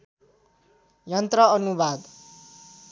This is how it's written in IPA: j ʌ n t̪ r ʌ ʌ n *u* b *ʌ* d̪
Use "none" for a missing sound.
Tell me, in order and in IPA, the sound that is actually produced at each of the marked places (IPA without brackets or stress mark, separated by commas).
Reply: u, a